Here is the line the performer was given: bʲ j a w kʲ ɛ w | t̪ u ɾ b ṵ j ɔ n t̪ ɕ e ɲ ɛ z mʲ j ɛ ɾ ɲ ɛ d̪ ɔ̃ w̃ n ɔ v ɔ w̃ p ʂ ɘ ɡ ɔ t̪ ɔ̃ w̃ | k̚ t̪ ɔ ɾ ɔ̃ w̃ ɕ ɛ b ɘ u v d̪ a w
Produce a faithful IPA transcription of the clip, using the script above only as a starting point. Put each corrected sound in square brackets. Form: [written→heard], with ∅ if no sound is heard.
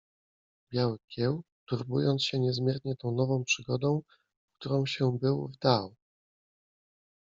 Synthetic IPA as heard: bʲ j a w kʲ ɛ w | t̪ u ɾ b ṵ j ɔ n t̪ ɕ [e→ɛ] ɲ ɛ z mʲ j ɛ ɾ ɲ ɛ [d̪→t̪] ɔ̃ w̃ n ɔ v [ɔ→ɔ̃] w̃ p ʂ ɘ ɡ ɔ [t̪→d̪] ɔ̃ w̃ | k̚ t̪ [ɔ→u] ɾ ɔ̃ w̃ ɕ ɛ b ɘ [u→w] v d̪ a w